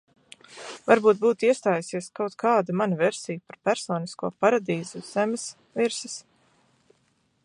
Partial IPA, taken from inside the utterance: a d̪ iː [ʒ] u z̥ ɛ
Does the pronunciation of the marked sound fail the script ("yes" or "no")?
yes